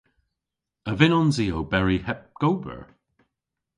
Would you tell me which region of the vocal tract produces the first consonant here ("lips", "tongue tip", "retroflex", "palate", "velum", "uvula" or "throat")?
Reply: lips